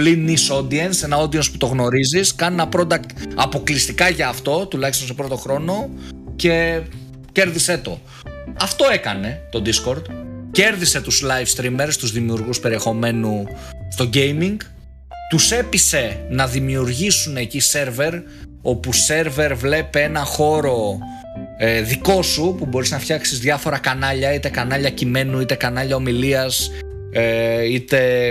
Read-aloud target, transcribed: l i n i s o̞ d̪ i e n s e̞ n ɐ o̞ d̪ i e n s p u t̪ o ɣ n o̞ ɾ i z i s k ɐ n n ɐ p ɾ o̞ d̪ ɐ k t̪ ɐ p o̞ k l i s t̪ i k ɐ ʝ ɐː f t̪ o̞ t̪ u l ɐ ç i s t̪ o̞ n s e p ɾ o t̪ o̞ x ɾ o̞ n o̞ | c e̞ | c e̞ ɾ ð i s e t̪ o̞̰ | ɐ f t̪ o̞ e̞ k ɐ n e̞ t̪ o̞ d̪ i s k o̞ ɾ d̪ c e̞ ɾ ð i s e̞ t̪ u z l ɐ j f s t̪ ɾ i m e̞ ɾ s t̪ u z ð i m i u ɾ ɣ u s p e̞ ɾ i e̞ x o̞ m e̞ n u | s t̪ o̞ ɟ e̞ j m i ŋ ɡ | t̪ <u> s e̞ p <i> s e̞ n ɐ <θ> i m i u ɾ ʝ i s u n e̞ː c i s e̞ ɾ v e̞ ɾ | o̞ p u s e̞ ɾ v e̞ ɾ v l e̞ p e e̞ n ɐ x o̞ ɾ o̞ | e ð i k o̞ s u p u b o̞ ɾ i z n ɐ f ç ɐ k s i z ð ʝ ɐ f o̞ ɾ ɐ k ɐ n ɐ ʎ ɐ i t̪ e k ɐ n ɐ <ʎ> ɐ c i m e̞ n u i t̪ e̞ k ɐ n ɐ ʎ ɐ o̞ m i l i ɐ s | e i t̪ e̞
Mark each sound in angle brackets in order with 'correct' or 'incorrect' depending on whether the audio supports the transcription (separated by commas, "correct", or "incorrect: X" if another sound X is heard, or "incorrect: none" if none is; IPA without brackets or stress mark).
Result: correct, correct, incorrect: ð, correct